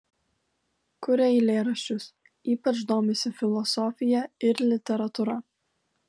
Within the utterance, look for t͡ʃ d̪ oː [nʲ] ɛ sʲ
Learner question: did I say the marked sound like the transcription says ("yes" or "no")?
no